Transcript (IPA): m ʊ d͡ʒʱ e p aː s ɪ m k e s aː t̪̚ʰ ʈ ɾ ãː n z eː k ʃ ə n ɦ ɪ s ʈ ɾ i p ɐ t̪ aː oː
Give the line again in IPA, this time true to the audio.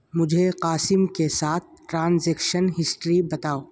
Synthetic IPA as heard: m ʊ d͡ʒʱ e q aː s ɪ m k e s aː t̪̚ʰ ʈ ɾ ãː n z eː k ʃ ə n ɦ ɪ s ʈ ɾ i b ɐ t̪ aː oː